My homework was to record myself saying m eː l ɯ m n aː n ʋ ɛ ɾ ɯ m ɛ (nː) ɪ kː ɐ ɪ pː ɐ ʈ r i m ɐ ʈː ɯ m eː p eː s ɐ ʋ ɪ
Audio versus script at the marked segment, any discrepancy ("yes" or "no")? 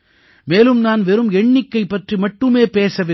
yes